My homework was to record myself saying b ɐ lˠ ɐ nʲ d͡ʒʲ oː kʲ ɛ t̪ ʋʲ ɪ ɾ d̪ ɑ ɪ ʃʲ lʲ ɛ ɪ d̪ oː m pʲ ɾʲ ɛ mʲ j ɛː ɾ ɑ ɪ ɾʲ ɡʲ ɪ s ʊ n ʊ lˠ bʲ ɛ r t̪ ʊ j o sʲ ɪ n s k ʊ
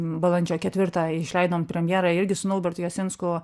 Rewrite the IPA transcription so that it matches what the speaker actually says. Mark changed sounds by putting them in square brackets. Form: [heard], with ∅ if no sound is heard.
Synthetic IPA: b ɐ lˠ ɐ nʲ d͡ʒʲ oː kʲ ɛ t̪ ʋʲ ɪ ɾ [t̪] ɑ ɪ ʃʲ lʲ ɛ ɪ d̪ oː m pʲ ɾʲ ɛ mʲ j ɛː ɾ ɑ ɪ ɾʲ ɡʲ ɪ s ʊ n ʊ lˠ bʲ ɛ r t̪ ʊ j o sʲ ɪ n s k ʊ